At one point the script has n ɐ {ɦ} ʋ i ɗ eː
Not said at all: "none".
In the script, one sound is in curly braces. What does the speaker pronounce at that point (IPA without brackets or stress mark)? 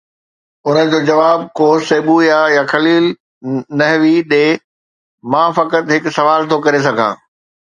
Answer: ɦ